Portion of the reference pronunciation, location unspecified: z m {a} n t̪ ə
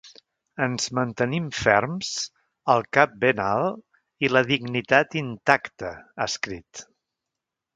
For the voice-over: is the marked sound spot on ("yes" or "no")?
no